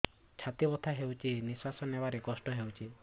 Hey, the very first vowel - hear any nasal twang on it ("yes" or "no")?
no